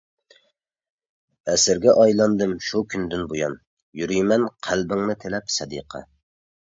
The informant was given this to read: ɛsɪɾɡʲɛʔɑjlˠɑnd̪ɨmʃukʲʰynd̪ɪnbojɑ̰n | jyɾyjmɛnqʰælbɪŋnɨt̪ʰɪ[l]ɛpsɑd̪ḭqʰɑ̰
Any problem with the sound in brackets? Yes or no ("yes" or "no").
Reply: no